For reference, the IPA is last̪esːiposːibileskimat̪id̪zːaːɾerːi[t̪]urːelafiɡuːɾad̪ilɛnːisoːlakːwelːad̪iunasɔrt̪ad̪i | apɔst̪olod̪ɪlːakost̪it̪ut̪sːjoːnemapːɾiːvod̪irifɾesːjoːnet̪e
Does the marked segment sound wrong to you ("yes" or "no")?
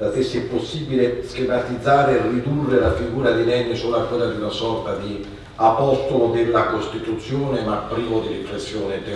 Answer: yes